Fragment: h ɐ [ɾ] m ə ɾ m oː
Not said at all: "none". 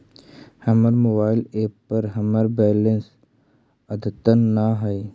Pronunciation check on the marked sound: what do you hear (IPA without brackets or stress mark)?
none